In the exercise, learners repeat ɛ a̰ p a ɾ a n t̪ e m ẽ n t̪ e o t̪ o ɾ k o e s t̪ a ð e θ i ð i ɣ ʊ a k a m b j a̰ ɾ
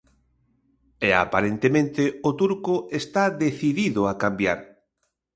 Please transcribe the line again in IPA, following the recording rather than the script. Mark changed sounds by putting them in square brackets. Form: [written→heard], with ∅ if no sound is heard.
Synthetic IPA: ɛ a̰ p a ɾ [a→e] n t̪ e m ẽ n t̪ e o t̪ [o→u] ɾ k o e s t̪ a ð e θ i ð i [ɣ→ð] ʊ a k a m b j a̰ ɾ